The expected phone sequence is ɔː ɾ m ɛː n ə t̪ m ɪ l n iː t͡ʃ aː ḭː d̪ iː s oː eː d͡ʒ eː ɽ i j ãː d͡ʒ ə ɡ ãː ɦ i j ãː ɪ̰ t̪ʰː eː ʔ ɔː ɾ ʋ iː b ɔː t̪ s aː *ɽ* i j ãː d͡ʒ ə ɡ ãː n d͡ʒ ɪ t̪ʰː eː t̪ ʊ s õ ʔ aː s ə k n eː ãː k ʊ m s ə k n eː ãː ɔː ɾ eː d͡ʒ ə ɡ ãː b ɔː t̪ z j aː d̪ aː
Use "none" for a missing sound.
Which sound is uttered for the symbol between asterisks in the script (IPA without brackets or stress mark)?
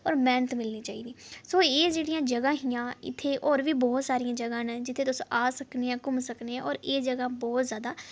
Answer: ɾ